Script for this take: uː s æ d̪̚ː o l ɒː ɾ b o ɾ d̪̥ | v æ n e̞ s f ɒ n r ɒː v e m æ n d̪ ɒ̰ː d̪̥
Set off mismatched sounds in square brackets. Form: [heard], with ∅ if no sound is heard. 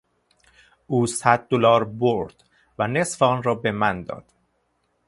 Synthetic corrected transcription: uː s æ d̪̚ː o l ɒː ɾ b o ɾ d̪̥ | v æ n e̞ s f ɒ n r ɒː [b] e m æ n d̪ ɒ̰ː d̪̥